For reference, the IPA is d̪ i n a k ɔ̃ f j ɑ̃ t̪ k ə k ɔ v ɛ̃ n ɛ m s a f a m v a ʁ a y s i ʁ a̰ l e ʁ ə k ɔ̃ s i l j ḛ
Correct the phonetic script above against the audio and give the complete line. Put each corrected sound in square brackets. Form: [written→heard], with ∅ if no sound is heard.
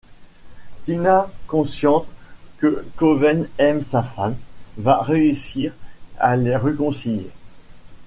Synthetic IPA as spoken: [d̪→t̪] i n a k ɔ̃ [f→s] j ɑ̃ t̪ k ə k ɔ v [ɛ̃→ɛ] n ɛ m s a f a m v a ʁ [a→e] y s i ʁ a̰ l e ʁ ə k ɔ̃ s i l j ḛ